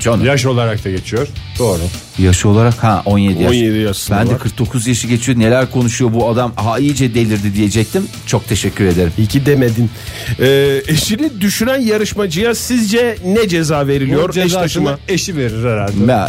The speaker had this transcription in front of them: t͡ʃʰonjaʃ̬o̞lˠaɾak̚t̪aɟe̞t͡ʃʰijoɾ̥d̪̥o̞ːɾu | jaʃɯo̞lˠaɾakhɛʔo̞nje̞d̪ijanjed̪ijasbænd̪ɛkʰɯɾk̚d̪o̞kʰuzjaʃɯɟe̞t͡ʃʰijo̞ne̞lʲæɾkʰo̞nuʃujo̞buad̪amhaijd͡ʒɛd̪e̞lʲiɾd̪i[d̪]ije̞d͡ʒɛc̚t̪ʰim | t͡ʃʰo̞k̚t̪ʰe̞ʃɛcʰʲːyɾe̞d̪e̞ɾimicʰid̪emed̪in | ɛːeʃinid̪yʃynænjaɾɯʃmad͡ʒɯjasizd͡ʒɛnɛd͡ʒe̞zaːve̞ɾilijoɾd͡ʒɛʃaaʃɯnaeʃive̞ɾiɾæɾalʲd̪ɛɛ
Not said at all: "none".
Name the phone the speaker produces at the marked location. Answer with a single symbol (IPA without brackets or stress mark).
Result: d̪